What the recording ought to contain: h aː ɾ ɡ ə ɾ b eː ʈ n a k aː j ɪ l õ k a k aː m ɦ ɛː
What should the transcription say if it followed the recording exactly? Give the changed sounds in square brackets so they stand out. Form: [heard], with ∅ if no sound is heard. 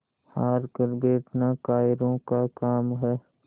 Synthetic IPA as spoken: h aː ɾ [k] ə ɾ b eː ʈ n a k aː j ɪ [ɾ] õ k a k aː m ɦ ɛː